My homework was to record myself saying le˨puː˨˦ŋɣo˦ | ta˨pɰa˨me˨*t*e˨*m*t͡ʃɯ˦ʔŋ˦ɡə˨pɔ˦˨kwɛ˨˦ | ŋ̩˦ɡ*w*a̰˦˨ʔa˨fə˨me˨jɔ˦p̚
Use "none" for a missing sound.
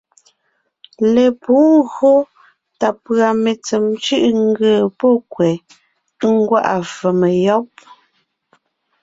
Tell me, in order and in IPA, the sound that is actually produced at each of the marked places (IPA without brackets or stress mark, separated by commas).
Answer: t͡s, m, w